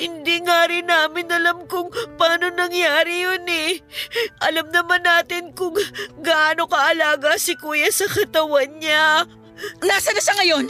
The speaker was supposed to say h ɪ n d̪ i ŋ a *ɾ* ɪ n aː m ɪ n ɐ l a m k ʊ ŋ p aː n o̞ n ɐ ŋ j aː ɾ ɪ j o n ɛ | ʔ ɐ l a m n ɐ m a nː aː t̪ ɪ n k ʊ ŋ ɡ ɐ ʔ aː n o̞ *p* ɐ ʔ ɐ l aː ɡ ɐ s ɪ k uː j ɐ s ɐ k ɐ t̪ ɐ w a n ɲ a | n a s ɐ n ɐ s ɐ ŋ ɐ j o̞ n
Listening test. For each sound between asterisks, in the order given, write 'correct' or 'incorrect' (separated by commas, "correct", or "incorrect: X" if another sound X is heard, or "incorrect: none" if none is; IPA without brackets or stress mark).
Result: correct, incorrect: k